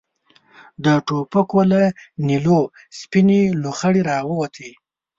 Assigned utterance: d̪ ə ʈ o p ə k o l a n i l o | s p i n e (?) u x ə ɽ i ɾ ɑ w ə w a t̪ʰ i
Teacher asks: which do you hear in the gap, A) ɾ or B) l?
B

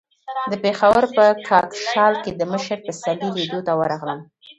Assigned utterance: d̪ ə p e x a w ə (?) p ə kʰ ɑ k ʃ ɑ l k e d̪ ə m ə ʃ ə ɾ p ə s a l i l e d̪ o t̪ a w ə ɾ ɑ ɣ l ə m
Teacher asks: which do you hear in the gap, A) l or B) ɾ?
B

